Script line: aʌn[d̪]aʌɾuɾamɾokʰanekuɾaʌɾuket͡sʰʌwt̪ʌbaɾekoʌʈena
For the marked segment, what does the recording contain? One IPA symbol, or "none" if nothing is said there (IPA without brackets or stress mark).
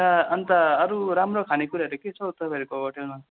t̪